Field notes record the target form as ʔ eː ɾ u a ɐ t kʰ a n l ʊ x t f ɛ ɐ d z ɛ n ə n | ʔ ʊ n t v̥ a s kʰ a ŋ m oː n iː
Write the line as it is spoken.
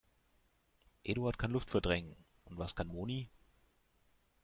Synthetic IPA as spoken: ʔ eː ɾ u a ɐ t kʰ a n l ʊ f t f ɛ ɐ d ʁ ɛ ŋ ə n | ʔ ʊ n t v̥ a s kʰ a n m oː n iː